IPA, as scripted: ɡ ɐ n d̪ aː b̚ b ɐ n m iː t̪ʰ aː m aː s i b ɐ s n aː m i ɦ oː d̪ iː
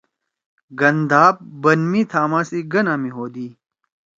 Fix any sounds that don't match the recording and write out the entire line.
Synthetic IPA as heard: ɡ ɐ n d̪ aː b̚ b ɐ n m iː t̪ʰ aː m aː s i ɡ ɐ n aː m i ɦ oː d̪ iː

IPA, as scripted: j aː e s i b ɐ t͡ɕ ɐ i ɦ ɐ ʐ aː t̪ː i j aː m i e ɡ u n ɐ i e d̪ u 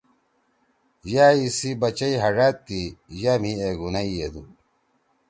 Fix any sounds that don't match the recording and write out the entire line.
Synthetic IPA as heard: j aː i s i b ɐ t͡ɕ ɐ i ɦ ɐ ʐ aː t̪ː i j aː m i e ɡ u n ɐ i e d̪ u

